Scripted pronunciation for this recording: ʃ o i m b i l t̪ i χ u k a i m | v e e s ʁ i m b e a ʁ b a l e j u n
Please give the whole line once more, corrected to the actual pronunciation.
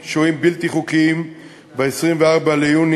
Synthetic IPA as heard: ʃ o i m b i l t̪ i χ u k i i m | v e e s ʁ i m v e a ʁ b a l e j u n

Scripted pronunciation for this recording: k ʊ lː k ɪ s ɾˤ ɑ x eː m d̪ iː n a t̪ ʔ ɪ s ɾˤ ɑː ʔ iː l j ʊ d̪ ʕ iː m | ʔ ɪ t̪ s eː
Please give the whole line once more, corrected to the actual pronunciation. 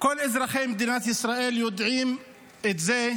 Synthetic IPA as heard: k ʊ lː ʔ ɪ z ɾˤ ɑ x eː m d̪ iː n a t̪ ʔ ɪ s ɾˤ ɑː ʔ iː l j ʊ d̪ ʕ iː m | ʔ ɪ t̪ z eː

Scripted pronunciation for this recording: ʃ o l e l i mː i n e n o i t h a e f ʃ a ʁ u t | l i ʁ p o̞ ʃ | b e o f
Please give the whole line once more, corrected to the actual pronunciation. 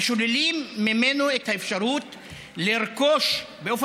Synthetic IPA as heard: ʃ o l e l i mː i m e n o e t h a e f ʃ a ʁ u t | l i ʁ k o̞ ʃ | b e o f

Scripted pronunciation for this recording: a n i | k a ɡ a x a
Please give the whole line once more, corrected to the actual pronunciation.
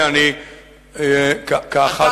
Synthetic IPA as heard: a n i | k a k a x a

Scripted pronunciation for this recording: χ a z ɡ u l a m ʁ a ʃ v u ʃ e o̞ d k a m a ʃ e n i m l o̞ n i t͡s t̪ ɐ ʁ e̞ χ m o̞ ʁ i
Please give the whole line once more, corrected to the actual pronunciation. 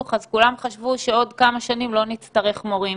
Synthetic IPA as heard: χ a z k u l a m χ a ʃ v u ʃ e o̞ d k a m a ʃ a n i m l o̞ n i t͡s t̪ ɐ ʁ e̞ χ m o̞ ʁ i

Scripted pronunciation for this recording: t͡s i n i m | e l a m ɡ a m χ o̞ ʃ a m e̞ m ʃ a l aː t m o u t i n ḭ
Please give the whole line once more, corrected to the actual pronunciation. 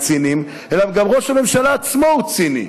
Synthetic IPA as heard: t͡s i n i m | e l a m ɡ a m ʁ o̞ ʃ a m e̞ m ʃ a l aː t͡s m o u t͡s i n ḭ

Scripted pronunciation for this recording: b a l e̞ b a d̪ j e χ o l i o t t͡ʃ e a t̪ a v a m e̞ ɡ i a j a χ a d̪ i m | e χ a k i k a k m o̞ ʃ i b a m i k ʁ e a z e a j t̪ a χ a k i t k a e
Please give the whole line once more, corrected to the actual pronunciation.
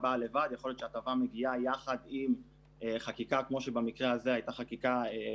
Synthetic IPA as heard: b a l e̞ v a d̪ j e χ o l j o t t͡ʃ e a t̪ a v a m e̞ ɡ i a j a χ a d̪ i m | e χ a k i k a k m o̞ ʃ e b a m i k ʁ e a z e a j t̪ a χ a k i k a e

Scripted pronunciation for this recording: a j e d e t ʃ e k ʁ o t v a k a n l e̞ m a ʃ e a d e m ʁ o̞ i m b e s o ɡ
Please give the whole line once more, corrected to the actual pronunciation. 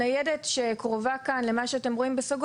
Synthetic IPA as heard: a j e d e t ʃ e k ʁ o v a k a n l e̞ m a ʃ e a t e m ʁ o̞ i m b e s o ɡ

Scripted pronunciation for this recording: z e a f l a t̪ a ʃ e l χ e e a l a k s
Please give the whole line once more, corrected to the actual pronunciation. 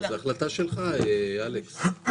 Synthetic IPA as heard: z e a χ l a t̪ a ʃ e l χ a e a l e k s

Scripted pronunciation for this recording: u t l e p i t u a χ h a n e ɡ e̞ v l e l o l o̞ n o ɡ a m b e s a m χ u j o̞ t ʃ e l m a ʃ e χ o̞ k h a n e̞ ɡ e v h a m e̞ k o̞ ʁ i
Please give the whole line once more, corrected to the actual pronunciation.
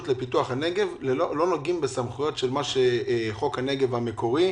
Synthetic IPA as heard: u t l e p i t u a χ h a n e ɡ e̞ v l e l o l o̞ n o ɡ i m b e s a m χ u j o̞ t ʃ e l m a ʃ e χ o̞ k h a n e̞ ɡ e v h a m e̞ k o̞ ʁ i

